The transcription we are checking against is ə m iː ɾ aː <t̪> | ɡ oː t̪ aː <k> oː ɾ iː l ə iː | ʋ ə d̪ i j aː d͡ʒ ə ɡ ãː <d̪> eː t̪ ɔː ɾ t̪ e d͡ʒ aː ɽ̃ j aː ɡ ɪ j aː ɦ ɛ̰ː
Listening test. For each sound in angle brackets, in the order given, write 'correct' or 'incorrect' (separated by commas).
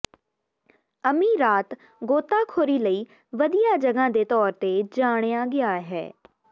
correct, incorrect, correct